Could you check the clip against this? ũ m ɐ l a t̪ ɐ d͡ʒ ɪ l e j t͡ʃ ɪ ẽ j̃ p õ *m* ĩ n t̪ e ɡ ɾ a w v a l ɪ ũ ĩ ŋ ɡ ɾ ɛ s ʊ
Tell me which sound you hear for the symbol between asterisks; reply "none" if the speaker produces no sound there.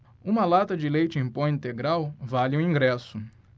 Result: none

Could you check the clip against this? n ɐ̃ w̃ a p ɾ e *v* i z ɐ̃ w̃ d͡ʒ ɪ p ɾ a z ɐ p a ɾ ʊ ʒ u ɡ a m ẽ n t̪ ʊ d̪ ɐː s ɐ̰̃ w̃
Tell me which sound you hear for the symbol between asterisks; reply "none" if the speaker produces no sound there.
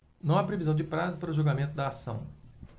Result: v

